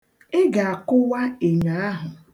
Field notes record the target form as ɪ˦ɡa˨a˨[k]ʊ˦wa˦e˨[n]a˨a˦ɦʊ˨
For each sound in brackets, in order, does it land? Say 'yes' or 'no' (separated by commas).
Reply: yes, no